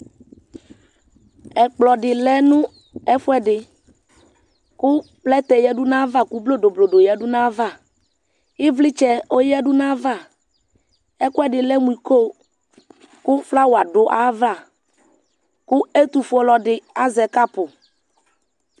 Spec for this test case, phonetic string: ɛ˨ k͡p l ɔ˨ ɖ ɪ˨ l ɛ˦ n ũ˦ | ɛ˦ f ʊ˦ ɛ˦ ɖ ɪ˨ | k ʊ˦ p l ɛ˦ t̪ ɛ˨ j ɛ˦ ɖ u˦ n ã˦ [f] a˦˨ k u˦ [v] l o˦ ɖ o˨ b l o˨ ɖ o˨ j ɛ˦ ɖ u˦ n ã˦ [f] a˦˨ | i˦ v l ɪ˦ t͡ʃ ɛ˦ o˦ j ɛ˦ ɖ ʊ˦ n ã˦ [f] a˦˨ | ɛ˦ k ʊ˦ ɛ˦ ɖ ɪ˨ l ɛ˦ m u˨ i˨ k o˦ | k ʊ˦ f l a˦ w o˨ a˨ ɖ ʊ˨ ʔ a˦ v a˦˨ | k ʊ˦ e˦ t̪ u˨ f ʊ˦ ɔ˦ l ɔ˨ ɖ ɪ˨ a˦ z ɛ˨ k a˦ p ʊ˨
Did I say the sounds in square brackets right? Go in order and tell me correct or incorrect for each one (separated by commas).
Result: incorrect, incorrect, incorrect, incorrect